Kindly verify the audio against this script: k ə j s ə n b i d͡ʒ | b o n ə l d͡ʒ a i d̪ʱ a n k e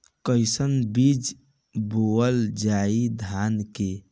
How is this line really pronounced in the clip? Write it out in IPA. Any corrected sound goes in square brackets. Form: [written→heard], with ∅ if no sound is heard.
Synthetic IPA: k ə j s ə n b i d͡ʒ | b o [n→∅] ə l d͡ʒ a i d̪ʱ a n k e